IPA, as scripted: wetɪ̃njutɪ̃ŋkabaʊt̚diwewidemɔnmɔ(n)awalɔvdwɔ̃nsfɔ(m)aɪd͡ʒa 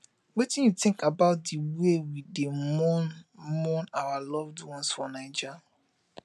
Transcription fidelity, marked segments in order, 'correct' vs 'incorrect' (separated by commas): correct, incorrect